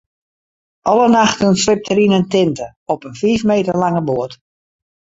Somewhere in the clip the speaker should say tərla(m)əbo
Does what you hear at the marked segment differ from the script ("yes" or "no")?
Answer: yes